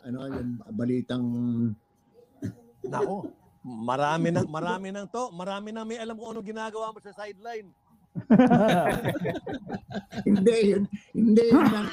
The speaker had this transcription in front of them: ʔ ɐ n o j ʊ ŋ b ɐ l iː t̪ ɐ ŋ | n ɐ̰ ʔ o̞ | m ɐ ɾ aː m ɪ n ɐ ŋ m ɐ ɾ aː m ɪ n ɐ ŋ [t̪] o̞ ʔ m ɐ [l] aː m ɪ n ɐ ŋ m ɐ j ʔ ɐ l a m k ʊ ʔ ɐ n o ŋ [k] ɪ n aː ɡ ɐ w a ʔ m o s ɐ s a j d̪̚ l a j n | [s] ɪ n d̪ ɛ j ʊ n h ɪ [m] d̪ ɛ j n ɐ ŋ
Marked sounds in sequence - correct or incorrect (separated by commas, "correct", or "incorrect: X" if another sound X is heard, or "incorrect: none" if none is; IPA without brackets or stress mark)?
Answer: correct, incorrect: ɾ, incorrect: ɡ, incorrect: h, incorrect: n